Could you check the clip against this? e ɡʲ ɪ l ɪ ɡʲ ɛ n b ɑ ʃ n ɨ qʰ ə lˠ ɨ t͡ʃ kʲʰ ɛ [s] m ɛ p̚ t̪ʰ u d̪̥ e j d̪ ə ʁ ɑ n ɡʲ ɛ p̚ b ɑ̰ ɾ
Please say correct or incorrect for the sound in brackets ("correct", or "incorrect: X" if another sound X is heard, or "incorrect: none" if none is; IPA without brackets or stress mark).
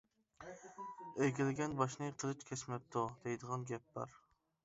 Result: correct